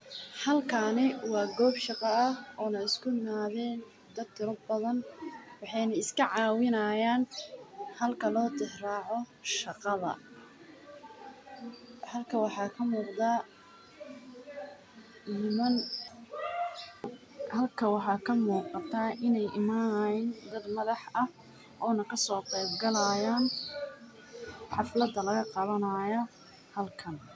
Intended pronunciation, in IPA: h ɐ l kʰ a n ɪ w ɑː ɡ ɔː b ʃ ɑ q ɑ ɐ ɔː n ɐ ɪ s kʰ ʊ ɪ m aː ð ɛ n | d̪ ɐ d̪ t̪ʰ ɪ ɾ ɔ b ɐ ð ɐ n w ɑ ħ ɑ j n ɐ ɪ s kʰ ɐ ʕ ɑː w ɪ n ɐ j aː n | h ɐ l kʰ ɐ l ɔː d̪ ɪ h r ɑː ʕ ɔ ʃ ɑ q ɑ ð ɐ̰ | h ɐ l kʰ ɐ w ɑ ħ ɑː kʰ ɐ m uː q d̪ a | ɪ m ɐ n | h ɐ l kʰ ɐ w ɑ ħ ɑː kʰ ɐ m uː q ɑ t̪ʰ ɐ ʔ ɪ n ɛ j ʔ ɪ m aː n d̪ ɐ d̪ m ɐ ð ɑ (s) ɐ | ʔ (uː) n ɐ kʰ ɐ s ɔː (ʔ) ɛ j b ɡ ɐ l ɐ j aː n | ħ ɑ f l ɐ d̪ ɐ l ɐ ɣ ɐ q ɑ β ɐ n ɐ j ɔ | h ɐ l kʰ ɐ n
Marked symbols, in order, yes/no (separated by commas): no, no, no